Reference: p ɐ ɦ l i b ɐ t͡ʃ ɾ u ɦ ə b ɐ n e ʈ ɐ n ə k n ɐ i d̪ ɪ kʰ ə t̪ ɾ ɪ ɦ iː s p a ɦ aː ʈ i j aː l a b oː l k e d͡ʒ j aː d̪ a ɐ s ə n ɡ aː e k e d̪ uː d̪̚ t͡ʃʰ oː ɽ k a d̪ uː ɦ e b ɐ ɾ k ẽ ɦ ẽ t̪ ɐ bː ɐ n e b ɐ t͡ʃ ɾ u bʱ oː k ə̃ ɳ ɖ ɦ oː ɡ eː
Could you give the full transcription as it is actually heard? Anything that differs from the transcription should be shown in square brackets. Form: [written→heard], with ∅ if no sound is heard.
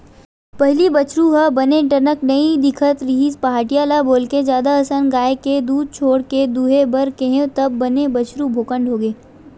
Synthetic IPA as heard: p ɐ ɦ l i b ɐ t͡ʃ ɾ u ɦ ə b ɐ n e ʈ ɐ n ə k n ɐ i d̪ ɪ kʰ ə t̪ ɾ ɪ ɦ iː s p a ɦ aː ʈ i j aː l a b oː l k e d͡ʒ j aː d̪ a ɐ s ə n ɡ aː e k e d̪ uː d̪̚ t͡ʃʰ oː ɽ k [a→e] d̪ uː ɦ e b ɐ ɾ k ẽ ɦ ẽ t̪ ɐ bː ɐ n e b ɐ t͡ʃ ɾ u bʱ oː k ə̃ ɳ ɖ ɦ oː ɡ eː